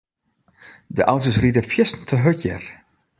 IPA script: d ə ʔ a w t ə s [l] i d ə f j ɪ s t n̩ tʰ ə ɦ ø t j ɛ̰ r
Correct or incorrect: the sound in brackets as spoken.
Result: incorrect: r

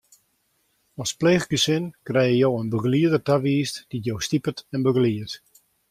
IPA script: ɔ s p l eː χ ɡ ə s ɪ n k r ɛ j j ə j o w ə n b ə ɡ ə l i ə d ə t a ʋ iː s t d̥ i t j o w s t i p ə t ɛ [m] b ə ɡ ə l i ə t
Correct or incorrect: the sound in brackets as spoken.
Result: incorrect: n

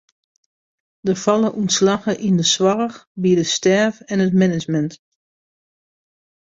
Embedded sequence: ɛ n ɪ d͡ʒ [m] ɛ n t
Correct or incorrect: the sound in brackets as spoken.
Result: correct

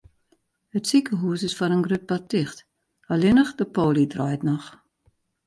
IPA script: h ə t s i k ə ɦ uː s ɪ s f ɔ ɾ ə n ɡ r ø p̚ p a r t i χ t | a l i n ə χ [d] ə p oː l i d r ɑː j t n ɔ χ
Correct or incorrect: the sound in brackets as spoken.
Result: correct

